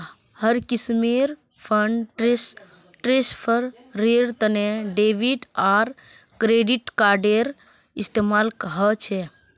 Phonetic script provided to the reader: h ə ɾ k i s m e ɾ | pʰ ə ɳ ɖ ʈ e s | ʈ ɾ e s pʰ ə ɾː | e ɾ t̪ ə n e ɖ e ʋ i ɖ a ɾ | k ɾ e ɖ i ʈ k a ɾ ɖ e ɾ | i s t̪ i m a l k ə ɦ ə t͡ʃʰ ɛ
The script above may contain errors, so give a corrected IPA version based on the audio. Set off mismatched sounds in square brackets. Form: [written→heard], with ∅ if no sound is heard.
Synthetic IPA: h ə ɾ k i s m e ɾ | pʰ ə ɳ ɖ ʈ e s | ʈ ɾ e s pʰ ə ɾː | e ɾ t̪ ə n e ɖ e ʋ i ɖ a ɾ | k ɾ e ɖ i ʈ k a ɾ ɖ e ɾ | i s t̪ [i→e] m a l k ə ɦ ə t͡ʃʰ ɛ